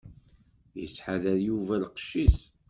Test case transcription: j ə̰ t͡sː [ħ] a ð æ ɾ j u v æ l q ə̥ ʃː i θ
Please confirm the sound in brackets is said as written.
yes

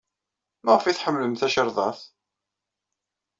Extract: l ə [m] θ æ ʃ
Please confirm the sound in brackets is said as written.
yes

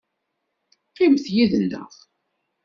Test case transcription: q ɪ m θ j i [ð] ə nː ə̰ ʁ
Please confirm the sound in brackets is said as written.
yes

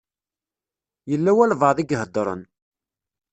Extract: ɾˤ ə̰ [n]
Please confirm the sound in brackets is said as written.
yes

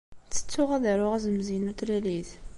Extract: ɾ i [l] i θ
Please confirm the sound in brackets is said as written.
yes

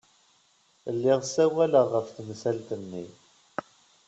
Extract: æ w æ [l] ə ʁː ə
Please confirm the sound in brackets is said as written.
yes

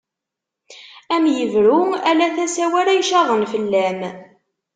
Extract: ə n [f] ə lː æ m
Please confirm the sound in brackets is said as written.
yes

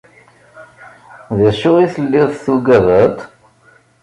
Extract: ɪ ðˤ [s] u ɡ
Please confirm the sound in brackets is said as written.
no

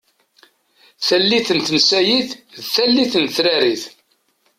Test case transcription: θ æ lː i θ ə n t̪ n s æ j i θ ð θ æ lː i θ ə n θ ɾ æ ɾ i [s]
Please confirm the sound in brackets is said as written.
no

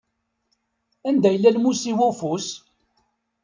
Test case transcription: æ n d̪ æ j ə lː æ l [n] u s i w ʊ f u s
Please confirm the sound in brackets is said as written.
no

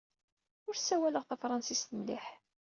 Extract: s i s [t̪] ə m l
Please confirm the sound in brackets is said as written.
yes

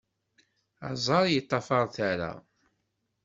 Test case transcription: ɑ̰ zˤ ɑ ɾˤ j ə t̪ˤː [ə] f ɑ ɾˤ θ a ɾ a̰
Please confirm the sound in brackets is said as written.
no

